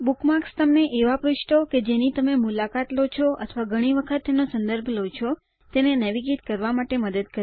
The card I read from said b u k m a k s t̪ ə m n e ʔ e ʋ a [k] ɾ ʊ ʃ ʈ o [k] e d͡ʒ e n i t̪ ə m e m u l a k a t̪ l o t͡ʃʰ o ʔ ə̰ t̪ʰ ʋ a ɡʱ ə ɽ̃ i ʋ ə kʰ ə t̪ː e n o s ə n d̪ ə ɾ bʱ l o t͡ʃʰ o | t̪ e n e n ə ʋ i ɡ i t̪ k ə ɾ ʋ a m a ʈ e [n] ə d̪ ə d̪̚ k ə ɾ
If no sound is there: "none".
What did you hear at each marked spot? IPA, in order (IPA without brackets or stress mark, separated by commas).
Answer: p, k, m